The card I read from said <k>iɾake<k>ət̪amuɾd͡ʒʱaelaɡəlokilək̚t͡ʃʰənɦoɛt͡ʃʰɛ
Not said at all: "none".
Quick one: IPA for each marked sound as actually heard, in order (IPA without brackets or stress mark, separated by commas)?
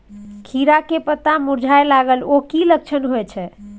kʰ, p